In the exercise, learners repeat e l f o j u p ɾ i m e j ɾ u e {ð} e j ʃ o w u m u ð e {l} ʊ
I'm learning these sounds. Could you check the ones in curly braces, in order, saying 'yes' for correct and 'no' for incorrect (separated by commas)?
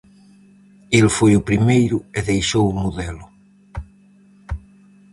yes, yes